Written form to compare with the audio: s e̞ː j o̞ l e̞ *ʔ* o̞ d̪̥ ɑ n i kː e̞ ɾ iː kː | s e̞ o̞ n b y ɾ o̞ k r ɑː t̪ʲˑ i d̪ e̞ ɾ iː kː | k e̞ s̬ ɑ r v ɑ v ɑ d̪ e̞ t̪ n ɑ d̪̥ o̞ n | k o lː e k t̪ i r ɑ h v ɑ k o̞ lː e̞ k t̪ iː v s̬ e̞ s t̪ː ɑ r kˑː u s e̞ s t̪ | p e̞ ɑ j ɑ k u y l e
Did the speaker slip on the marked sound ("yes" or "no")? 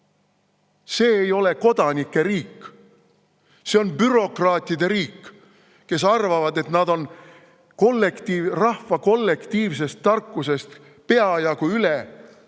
yes